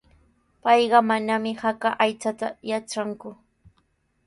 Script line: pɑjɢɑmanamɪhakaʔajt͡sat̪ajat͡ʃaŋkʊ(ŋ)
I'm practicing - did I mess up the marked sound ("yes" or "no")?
yes